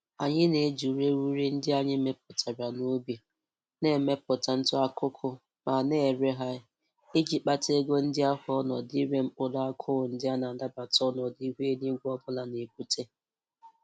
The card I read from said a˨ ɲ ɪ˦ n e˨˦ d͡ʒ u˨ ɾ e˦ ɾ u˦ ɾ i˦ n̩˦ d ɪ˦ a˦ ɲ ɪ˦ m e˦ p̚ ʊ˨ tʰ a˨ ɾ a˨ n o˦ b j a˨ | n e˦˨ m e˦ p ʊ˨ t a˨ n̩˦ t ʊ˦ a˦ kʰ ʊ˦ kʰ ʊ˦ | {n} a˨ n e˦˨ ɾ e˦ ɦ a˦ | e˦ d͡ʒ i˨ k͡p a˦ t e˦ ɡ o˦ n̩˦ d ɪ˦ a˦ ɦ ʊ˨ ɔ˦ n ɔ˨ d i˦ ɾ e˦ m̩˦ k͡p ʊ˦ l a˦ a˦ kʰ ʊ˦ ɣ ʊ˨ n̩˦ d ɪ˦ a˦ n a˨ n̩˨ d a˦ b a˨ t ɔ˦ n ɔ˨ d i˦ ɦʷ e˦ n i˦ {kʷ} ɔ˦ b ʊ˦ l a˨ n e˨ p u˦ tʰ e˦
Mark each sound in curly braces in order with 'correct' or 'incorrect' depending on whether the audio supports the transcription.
incorrect: m, incorrect: ɡʷ

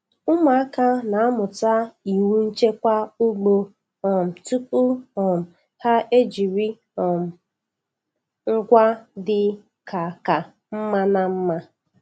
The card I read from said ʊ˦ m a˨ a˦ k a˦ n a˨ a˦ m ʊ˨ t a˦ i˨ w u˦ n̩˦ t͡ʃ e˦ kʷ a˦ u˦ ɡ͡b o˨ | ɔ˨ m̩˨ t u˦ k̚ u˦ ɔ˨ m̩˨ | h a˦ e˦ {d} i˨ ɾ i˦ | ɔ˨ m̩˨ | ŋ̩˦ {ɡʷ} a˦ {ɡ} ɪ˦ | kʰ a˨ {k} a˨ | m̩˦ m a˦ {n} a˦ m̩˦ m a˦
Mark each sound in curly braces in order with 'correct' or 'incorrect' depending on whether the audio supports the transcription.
incorrect: d͡ʒ, correct, incorrect: d, correct, correct

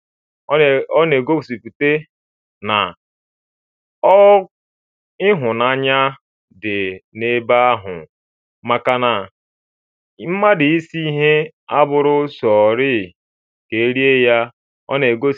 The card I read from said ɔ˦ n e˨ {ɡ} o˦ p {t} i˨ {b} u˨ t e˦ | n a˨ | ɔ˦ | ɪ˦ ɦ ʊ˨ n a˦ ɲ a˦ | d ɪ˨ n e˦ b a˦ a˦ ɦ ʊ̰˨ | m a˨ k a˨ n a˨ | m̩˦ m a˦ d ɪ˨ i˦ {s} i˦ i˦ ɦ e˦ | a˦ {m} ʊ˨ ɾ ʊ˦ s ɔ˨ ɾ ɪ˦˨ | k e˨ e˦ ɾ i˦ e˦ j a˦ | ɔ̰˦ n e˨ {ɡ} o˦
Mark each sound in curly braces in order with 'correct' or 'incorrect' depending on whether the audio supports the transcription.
correct, incorrect: s, incorrect: p, correct, incorrect: b, correct

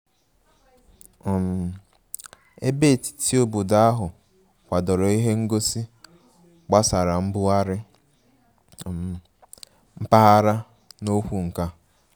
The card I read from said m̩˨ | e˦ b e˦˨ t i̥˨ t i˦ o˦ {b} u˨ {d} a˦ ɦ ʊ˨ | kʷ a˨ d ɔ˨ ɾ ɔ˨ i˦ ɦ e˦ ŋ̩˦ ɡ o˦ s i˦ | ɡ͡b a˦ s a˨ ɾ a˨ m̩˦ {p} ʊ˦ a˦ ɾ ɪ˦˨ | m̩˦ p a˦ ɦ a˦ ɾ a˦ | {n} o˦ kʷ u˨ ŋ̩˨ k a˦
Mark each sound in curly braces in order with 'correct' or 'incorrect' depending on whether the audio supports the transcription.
correct, correct, incorrect: b, correct

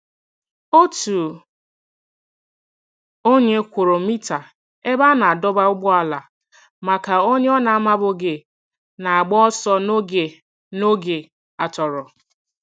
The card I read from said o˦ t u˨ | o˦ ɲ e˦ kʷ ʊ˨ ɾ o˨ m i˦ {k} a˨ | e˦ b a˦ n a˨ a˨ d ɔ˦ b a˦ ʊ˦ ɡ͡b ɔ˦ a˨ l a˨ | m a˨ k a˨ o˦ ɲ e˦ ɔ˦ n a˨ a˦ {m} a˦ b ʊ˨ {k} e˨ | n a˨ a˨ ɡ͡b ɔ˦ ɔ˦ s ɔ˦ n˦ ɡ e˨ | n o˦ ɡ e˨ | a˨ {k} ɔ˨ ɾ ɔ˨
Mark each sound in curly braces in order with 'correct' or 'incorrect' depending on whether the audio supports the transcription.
incorrect: t, correct, incorrect: ɡ, incorrect: t

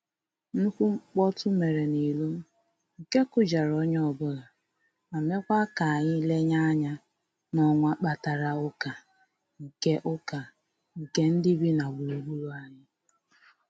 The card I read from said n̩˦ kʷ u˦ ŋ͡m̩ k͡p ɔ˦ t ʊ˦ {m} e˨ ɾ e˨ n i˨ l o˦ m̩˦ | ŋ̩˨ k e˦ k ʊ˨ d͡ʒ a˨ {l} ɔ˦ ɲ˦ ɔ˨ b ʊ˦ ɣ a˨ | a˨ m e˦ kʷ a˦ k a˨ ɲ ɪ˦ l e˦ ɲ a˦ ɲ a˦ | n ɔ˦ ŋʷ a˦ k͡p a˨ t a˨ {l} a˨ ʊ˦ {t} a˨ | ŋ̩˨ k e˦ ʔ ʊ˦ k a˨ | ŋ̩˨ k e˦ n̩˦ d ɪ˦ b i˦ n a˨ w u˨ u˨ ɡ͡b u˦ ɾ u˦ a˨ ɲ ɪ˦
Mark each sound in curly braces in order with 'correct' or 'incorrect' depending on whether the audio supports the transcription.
correct, incorrect: ɾ, incorrect: ɾ, incorrect: k

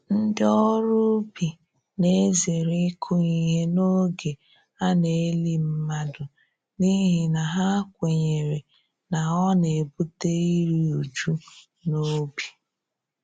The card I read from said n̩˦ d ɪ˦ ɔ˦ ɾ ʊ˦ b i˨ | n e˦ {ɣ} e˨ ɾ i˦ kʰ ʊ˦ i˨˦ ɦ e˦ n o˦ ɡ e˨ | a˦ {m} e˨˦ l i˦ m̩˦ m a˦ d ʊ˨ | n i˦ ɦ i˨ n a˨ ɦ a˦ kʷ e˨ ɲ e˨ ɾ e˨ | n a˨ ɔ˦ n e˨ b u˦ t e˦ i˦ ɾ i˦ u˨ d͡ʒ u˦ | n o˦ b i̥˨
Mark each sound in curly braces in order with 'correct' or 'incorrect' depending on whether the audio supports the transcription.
incorrect: z, incorrect: n

